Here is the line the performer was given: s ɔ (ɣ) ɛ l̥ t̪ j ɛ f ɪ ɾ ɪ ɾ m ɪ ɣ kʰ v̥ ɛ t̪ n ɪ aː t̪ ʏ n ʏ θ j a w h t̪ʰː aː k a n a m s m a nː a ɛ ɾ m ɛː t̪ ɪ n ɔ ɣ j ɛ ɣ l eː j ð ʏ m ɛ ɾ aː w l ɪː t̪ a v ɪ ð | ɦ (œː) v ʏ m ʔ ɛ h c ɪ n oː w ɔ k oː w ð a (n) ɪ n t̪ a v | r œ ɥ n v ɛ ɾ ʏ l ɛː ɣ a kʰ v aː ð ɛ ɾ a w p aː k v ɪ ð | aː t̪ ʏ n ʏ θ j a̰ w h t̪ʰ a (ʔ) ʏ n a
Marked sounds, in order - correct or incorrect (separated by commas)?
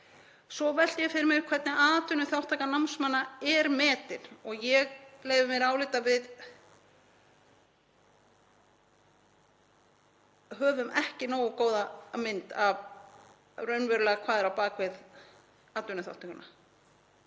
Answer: incorrect, correct, incorrect, incorrect